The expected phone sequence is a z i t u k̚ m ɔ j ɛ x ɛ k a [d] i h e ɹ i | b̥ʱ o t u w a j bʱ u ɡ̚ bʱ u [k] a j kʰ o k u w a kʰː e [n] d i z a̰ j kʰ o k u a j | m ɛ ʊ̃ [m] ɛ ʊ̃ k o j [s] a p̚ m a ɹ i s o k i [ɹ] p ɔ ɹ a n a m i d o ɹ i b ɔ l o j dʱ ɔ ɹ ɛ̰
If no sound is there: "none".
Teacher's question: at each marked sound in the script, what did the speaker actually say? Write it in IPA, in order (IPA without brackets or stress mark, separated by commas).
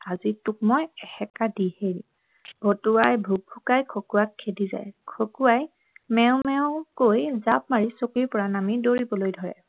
d, k, none, m, z, ɹ